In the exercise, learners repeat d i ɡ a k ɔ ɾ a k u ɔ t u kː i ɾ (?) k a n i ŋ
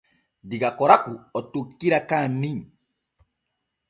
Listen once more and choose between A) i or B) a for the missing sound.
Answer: B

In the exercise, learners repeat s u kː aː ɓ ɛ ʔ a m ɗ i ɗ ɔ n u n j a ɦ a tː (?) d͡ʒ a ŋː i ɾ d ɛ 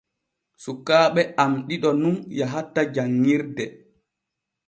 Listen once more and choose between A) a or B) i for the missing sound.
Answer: A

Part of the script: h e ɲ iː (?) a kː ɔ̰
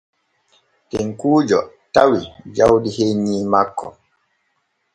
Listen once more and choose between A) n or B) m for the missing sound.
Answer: B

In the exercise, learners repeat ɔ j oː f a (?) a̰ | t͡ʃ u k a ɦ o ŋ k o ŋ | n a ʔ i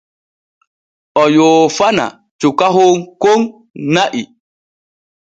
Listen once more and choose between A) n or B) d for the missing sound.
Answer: A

